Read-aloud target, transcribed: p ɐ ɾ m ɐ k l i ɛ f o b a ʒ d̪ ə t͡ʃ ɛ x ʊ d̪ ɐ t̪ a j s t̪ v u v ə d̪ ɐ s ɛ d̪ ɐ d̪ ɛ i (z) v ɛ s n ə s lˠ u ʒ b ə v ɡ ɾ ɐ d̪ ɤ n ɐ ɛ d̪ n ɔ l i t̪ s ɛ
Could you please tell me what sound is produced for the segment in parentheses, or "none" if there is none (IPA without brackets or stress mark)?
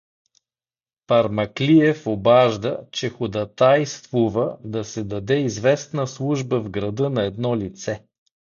z